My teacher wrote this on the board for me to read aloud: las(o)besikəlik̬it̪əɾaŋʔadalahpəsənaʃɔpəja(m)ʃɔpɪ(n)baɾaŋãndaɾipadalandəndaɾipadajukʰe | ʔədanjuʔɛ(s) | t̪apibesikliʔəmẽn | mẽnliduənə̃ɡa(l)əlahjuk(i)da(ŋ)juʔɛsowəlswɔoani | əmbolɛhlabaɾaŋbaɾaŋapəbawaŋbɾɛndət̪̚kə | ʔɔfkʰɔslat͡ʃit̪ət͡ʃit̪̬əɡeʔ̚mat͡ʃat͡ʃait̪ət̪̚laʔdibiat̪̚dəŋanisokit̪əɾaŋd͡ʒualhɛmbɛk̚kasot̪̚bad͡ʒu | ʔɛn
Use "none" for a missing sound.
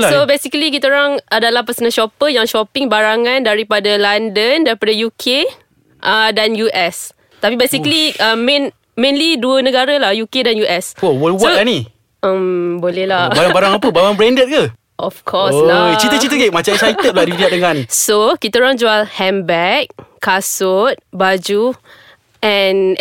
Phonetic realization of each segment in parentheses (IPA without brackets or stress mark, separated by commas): o, ŋ, ŋ, s, ɾ, e, n